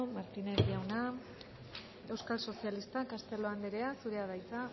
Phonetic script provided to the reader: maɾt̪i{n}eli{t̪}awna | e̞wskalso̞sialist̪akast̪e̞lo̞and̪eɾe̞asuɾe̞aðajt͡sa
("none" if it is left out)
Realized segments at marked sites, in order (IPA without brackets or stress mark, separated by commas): n, none